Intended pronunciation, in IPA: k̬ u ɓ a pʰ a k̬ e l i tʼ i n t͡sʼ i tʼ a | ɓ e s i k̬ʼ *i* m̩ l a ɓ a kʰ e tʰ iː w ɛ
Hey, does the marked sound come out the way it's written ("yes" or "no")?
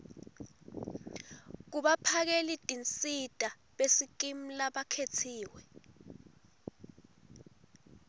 yes